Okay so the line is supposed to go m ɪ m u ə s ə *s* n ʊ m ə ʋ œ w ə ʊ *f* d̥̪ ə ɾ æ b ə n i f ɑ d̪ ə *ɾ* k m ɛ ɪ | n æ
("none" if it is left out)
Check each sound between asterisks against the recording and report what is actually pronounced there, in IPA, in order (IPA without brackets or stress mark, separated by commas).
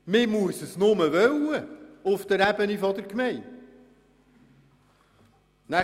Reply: s, f, ɾ